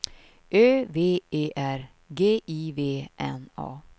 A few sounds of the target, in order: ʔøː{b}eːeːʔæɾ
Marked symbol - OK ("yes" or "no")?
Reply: no